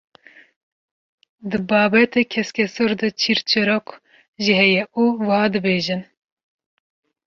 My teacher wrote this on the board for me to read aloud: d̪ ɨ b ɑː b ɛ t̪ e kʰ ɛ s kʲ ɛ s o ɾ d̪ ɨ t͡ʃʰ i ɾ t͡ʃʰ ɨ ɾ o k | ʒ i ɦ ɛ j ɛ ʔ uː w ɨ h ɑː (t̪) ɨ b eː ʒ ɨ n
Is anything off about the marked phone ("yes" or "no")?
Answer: yes